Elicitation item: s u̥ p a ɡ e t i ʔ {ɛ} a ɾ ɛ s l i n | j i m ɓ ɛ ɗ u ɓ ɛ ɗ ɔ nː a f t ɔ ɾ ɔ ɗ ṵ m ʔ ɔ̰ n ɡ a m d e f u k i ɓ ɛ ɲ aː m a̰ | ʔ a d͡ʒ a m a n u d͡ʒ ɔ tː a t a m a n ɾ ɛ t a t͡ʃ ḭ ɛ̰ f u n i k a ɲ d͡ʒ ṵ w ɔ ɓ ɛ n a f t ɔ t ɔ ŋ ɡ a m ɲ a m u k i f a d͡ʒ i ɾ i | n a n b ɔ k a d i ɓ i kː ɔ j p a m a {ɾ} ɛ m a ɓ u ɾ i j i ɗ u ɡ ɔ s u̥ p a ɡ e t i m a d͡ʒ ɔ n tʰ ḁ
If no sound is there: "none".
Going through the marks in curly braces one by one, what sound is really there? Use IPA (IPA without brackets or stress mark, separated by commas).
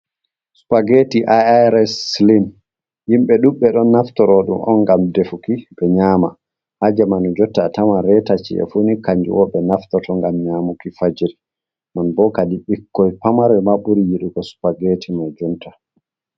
a, ɾ